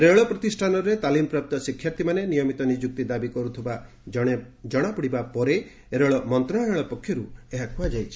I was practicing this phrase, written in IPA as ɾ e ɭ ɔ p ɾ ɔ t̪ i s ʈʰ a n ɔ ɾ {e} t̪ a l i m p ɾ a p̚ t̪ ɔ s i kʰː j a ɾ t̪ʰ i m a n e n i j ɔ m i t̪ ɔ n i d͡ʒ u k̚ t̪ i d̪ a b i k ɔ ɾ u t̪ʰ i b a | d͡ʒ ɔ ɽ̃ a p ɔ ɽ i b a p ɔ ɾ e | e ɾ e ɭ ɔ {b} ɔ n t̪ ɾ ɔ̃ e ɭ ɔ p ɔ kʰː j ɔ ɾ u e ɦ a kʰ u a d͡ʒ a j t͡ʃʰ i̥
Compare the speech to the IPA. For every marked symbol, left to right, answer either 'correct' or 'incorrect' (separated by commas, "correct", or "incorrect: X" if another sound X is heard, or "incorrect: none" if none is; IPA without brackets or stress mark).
correct, incorrect: m